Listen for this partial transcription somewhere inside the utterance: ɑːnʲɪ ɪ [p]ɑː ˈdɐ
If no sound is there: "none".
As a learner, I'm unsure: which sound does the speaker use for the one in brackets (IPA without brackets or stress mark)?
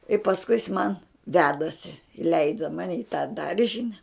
t